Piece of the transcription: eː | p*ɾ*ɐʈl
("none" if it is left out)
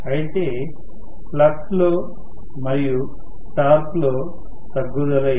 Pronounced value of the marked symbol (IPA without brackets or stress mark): l